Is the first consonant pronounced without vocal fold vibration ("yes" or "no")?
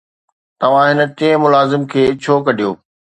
yes